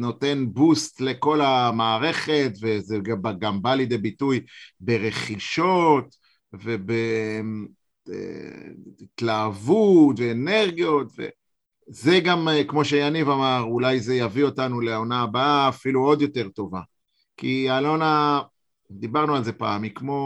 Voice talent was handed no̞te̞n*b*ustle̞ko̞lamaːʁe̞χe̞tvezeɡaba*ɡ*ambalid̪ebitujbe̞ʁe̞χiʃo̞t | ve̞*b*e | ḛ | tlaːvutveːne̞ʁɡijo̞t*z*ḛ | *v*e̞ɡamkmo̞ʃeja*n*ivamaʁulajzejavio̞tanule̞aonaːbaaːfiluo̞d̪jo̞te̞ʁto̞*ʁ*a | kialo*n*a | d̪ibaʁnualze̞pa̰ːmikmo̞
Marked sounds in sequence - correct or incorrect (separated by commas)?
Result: correct, correct, correct, incorrect, incorrect, correct, incorrect, correct